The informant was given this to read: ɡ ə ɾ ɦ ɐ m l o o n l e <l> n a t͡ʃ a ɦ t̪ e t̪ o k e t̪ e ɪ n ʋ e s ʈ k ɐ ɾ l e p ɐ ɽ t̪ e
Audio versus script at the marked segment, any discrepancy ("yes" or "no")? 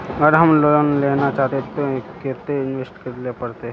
yes